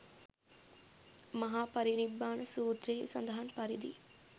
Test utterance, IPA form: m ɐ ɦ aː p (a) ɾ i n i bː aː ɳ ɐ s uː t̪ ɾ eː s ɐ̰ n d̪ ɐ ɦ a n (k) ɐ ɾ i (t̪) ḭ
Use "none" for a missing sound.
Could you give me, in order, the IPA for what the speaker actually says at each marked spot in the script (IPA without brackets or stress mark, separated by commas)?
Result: ɐ, p, d̪